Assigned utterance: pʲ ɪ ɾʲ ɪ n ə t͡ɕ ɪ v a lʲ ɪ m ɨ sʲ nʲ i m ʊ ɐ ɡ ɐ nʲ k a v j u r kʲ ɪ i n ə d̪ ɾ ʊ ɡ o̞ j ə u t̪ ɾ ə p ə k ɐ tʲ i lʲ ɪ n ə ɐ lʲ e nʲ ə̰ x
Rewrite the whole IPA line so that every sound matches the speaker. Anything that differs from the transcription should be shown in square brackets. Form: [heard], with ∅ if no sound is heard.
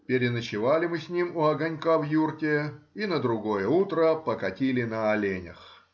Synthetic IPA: pʲ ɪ ɾʲ ɪ n ə t͡ɕ ɪ v a lʲ ɪ m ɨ sʲ nʲ i m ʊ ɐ ɡ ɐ nʲ k a v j u r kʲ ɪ i n ə d̪ ɾ ʊ ɡ o̞ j ə u t̪ ɾ ə p ə k ɐ tʲ i lʲ ɪ n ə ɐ lʲ e nʲ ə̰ x